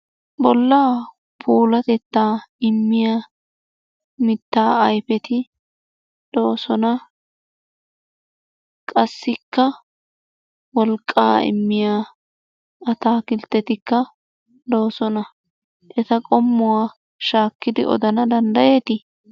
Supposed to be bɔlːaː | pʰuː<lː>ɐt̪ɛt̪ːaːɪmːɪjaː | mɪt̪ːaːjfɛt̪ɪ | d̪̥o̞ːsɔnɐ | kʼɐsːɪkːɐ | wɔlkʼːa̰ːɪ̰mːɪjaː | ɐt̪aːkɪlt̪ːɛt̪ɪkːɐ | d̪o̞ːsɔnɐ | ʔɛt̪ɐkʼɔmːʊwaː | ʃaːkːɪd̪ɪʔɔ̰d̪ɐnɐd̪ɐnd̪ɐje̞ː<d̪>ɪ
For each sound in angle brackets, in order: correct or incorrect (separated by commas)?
incorrect, incorrect